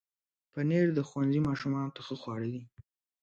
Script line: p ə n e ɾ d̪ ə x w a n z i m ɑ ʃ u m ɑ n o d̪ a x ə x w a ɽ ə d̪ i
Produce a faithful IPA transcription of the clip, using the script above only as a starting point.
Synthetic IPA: p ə n e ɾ d̪ ə x w a n z i m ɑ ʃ u m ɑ n o t̪ a x ə x w ɑ ɽ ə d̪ i